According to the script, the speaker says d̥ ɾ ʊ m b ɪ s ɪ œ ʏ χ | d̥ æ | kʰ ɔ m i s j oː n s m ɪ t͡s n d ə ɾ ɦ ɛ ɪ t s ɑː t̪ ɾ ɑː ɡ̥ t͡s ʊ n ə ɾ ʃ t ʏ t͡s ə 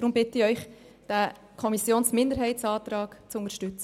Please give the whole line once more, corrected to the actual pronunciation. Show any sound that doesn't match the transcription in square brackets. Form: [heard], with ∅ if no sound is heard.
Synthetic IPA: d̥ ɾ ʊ m b ɪ [t] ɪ œ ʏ χ | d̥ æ | kʰ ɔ m i s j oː n s m ɪ [∅] n d ə ɾ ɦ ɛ ɪ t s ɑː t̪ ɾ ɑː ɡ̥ t͡s ʊ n ə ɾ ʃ t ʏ t͡s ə